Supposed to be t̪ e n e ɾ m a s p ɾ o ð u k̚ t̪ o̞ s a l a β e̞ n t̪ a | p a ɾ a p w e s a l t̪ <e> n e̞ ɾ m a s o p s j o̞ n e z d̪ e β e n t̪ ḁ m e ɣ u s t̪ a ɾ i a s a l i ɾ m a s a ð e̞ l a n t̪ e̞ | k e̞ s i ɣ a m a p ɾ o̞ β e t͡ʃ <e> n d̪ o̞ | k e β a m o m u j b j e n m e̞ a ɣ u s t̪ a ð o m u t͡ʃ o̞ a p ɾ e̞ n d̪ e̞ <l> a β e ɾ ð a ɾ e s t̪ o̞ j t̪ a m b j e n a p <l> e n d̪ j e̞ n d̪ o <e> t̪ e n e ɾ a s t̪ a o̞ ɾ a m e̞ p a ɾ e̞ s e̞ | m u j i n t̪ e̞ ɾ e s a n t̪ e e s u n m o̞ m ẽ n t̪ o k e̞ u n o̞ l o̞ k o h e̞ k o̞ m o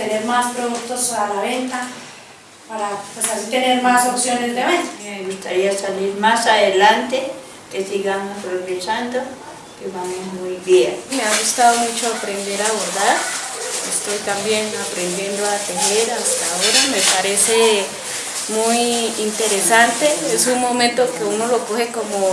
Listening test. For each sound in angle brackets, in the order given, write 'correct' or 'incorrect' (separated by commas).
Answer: correct, incorrect, incorrect, incorrect, incorrect